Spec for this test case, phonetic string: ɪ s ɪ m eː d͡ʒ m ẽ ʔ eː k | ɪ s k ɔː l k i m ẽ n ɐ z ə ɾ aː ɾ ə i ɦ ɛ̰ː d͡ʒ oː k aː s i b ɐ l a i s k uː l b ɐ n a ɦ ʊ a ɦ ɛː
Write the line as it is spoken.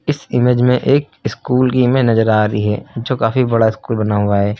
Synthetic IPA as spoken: ɪ s ɪ m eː d͡ʒ m ẽ ʔ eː k | ɪ s k uː l k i m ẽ n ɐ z ə ɾ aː ɾ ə i ɦ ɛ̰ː d͡ʒ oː k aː f i b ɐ ɽ a ɪ s k uː l b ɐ n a ɦ ʊ a ɦ ɛː

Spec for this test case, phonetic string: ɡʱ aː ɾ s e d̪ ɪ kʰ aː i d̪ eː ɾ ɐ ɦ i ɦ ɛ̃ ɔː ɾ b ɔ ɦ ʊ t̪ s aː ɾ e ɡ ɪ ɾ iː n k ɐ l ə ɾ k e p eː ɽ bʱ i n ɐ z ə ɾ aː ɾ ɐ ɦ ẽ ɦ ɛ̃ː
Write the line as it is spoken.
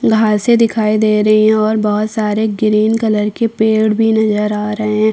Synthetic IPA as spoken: ɡʱ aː ɾ s e d̪ ɪ kʰ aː i d̪ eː ɾ ɐ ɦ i ɦ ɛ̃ ɔː ɾ b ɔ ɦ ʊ t̪ s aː ɾ e ɡ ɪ ɾ iː n k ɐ l ə ɾ k e p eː ɽ bʱ i n ɐ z ə ɾ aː ɾ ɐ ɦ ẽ ɦ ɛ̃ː

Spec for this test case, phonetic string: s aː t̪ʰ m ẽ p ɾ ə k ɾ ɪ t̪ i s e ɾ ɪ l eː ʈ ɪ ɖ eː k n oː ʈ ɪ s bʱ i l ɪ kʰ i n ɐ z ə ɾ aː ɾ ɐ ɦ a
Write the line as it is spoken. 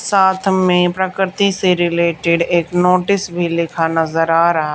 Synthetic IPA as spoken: s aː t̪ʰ m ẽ p ɾ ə k ɾ ɪ t̪ i s e ɾ ɪ l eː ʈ ɪ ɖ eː k n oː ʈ ɪ s bʱ i l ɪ kʰ a n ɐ z ə ɾ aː ɾ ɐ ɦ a

